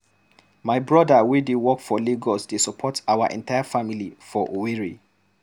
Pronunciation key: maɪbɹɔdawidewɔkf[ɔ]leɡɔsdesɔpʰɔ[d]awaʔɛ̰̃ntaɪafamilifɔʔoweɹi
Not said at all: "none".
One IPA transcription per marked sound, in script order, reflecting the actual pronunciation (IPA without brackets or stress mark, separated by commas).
ɔ, t